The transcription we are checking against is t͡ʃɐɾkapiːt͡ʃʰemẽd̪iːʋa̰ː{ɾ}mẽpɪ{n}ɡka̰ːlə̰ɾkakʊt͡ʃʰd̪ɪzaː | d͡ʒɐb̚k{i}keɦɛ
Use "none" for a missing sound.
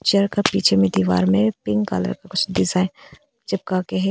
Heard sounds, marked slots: ɾ, ŋ, a

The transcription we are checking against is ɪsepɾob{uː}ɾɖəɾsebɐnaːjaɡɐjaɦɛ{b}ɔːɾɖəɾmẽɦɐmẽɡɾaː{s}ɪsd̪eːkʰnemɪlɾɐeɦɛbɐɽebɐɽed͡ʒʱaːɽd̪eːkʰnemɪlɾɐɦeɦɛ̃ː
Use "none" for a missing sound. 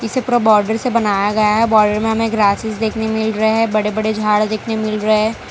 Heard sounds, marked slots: ɔː, b, s

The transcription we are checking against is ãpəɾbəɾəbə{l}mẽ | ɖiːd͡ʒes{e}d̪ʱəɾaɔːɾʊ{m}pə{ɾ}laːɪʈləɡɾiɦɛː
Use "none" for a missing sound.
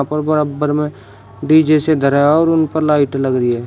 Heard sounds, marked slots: ɾ, e, n, ɾ

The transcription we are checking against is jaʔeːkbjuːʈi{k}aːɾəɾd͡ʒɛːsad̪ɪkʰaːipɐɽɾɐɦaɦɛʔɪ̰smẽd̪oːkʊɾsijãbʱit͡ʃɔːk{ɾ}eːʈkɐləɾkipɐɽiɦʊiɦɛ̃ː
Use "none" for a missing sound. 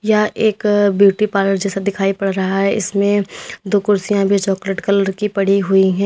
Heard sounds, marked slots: p, l

